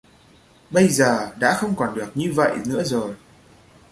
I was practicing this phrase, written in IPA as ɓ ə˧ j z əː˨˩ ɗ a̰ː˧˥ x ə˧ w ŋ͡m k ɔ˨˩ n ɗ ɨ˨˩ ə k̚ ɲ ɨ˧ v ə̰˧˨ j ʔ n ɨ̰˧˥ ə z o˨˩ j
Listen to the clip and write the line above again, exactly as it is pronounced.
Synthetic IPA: ɓ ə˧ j z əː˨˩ ɗ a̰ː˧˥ x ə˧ w ŋ͡m k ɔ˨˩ n ɗ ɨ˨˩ ə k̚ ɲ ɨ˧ v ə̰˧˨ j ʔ n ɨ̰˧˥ ə z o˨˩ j